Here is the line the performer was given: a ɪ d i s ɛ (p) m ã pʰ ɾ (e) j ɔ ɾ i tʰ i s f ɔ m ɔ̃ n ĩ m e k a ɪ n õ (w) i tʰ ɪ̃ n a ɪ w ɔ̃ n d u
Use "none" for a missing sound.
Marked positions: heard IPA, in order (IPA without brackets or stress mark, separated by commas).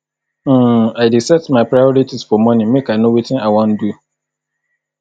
t, a, w